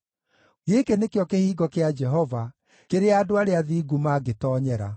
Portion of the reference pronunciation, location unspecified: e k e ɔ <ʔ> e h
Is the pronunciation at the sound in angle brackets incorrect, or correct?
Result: incorrect